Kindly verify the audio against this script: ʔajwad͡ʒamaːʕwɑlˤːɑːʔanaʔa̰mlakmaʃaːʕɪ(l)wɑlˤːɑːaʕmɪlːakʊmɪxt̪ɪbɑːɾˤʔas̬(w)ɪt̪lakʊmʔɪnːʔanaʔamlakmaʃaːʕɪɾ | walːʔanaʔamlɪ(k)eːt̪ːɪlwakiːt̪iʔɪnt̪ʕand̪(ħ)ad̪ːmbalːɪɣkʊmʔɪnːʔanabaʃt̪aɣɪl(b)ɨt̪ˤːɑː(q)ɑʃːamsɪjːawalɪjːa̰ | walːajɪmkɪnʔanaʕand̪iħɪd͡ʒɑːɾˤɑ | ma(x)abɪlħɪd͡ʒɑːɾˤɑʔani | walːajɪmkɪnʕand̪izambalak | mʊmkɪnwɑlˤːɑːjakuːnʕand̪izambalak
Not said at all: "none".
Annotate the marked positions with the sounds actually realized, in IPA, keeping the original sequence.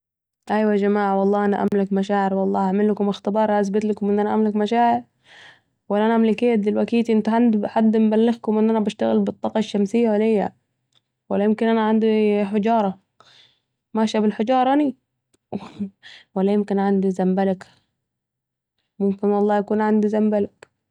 ɾ, b, k, ħ, b, q, ʃ

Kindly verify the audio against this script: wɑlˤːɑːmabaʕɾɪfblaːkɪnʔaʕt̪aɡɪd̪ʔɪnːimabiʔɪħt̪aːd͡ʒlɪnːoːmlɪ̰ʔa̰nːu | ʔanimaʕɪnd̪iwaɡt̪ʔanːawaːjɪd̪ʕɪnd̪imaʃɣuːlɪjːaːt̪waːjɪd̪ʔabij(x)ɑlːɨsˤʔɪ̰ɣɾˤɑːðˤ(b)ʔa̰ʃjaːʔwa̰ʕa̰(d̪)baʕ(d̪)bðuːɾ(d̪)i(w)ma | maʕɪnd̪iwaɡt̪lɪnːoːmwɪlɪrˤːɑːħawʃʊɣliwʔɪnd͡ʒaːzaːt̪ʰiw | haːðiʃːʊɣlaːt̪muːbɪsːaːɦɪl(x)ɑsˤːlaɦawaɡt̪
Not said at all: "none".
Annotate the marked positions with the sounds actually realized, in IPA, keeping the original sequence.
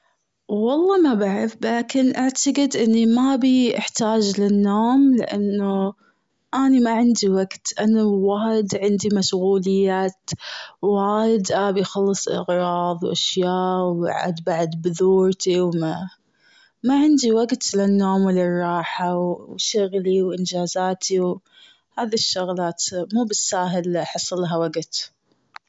x, w, d̪, d̪, t̪, w, ħ

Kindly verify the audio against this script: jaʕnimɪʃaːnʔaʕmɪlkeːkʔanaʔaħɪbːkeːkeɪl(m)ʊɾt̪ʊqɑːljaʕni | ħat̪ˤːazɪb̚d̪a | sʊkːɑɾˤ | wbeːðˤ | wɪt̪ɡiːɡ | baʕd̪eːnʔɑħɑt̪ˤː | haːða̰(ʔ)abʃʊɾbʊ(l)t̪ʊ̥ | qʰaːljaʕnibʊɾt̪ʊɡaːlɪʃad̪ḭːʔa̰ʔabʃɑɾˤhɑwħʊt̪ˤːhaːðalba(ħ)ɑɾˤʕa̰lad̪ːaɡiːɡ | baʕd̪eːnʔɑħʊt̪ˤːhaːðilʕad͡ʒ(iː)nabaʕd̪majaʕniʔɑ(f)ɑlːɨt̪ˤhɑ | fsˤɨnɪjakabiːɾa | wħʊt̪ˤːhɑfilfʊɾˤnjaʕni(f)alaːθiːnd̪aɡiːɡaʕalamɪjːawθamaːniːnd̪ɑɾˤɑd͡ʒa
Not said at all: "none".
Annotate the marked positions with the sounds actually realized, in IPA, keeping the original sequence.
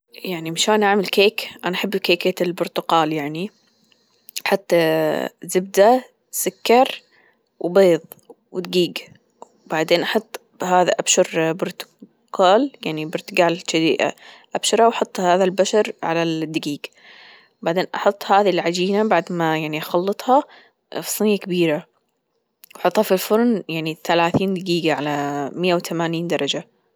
b, ʔ, ɾ, ʃ, iː, x, θ

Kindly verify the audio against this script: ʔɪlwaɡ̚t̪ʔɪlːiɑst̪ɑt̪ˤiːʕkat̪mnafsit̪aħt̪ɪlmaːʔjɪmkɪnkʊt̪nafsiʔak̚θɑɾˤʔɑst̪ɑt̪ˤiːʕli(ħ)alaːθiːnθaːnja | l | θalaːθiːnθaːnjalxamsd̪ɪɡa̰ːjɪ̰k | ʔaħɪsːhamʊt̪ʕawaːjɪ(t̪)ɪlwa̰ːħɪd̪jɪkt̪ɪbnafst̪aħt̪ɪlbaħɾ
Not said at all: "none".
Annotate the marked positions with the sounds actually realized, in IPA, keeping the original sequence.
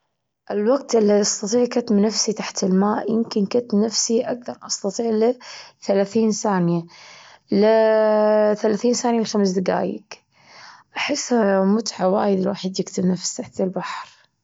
θ, d̪

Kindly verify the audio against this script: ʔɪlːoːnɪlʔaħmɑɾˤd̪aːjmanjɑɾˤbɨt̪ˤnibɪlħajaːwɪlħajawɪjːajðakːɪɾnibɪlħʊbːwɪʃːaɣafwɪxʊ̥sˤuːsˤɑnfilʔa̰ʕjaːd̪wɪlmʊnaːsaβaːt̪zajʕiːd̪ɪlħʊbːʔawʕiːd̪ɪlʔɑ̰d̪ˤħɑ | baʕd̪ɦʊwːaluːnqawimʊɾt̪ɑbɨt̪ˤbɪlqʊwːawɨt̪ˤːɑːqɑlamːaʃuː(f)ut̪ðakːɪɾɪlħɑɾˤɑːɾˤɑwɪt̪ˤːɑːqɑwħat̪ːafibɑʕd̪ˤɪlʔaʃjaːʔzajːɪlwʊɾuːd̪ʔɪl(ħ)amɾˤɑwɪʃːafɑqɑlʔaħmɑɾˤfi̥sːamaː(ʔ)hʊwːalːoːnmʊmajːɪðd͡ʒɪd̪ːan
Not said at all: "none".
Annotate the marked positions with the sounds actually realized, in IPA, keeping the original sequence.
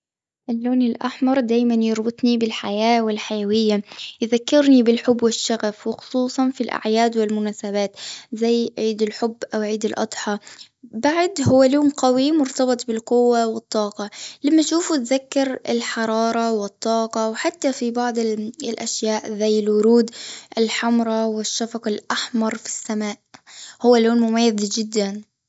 f, ħ, ʔ

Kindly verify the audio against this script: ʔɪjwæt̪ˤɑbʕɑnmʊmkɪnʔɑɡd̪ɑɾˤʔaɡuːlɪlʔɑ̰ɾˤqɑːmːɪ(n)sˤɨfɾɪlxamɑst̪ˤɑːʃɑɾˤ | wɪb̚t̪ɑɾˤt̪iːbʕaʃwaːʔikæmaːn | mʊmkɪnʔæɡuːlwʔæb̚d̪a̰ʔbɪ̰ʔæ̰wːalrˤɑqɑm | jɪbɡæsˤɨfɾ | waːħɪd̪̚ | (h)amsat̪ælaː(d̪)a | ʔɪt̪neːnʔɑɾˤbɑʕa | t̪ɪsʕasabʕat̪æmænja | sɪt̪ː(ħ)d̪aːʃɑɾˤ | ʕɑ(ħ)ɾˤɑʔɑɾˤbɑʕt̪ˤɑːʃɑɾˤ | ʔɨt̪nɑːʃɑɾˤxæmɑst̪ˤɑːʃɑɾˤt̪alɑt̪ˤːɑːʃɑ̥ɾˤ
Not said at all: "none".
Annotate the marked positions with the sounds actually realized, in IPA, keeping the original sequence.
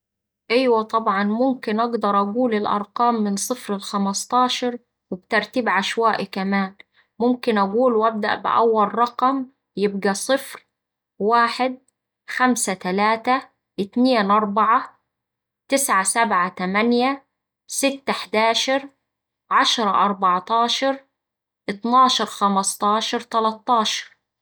n, x, t̪, ħ, ʃ

